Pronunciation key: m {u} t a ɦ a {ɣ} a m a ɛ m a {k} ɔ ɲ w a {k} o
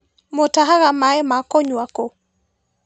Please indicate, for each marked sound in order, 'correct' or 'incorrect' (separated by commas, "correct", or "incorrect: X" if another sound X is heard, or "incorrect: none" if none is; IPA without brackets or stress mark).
incorrect: o, correct, correct, correct